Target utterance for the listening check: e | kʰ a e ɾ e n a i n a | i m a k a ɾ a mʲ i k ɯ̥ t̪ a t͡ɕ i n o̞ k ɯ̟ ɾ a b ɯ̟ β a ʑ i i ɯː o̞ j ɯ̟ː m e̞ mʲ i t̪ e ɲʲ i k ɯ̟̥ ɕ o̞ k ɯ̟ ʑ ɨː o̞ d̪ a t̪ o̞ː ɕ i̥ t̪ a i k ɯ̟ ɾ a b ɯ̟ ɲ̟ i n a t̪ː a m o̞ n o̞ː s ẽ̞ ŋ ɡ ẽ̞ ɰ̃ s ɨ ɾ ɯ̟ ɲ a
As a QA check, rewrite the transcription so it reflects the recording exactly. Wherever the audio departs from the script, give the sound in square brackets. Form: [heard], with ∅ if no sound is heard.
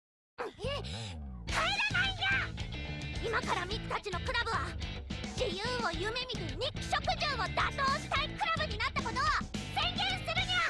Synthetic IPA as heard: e | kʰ a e ɾ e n a i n a | i m a k a ɾ a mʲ i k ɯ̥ t̪ a t͡ɕ i n o̞ k ɯ̟ ɾ a b ɯ̟ β a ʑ i [j] ɯː o̞ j [ɯ̟] m e̞ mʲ i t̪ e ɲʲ i k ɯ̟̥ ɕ o̞ k ɯ̟ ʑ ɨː o̞ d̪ a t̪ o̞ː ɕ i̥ t̪ a i k ɯ̟ ɾ a b ɯ̟ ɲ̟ i n a t̪ː a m o̞ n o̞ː s ẽ̞ ŋ ɡ ẽ̞ ɰ̃ s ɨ ɾ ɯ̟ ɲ a